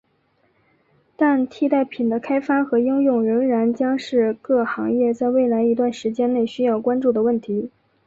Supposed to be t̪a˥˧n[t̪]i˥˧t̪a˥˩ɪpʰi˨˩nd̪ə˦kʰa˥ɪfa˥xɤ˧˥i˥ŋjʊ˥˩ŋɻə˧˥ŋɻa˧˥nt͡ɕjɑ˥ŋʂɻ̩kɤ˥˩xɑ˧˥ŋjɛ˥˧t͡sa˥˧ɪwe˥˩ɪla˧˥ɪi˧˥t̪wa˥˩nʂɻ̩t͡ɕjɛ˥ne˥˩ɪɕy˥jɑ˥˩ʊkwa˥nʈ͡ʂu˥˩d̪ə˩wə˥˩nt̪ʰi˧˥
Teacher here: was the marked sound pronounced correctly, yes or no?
no